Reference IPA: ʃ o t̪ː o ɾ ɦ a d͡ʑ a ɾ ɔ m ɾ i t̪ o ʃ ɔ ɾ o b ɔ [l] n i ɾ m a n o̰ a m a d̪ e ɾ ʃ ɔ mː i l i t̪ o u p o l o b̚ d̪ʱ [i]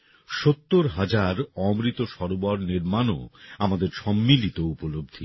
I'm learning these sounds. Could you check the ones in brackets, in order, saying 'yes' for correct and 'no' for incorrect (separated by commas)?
no, yes